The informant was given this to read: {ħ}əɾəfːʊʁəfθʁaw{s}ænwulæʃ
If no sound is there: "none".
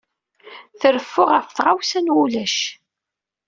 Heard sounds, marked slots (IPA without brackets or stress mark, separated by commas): θ, s